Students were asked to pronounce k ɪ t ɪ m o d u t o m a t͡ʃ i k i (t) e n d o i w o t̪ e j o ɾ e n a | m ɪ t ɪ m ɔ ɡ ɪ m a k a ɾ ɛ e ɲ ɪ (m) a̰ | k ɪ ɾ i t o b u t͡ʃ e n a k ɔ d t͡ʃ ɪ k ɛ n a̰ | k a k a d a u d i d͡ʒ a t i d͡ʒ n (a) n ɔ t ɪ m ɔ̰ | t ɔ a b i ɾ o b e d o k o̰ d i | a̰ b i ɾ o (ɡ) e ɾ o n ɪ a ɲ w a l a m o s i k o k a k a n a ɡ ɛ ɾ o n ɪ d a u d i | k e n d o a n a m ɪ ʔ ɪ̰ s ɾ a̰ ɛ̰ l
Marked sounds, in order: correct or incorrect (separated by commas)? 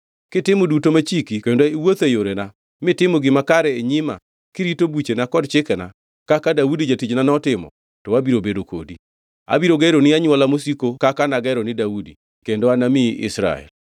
incorrect, correct, correct, correct